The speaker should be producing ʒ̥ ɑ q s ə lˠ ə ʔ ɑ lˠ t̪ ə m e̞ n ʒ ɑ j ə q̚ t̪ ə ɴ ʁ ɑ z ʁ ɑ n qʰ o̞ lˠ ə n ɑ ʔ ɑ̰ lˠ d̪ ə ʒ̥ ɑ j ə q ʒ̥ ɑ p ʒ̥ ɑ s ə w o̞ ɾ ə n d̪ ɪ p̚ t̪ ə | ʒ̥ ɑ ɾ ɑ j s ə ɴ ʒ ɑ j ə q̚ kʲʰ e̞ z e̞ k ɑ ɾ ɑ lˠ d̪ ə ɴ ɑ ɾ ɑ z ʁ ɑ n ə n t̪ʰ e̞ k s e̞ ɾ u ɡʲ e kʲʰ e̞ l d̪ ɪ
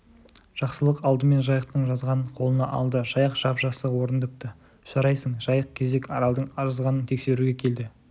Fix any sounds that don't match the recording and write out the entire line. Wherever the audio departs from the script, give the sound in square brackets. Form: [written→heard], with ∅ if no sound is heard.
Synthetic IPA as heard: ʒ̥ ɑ q s ə lˠ ə [ʔ→q] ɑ lˠ [t̪→d̪] ə m e̞ n ʒ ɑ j ə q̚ t̪ ə ɴ [ʁ→ʒ] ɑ z ʁ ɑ n qʰ o̞ lˠ ə n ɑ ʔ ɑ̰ lˠ d̪ ə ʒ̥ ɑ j ə q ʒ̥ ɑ p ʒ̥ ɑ s ə w o̞ ɾ ə n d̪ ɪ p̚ t̪ ə | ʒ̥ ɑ ɾ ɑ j s ə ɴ ʒ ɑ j ə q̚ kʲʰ e̞ z e̞ k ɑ ɾ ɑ lˠ d̪ ə ɴ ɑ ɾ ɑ z ʁ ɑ n ə n t̪ʰ e̞ k s e̞ ɾ u ɡʲ e kʲʰ e̞ l d̪ ɪ